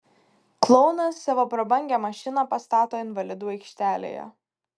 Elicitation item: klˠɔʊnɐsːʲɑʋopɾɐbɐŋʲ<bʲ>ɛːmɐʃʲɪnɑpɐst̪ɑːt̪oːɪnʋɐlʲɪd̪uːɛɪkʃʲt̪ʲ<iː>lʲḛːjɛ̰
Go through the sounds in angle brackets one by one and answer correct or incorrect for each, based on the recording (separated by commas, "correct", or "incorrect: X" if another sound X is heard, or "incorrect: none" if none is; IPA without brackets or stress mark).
incorrect: ɡʲ, incorrect: æː